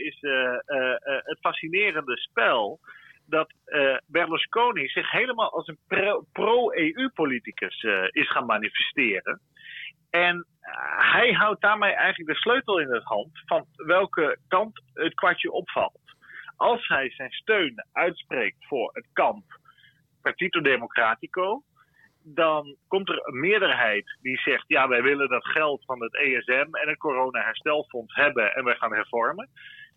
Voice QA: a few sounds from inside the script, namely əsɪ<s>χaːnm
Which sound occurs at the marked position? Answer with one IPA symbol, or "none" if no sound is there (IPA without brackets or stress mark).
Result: s